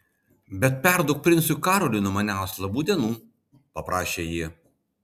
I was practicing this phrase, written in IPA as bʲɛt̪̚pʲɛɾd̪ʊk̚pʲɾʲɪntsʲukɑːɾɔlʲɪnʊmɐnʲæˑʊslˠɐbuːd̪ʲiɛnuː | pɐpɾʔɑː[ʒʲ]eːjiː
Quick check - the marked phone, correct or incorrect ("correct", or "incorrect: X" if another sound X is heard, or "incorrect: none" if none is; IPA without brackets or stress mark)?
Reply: incorrect: ʃʲ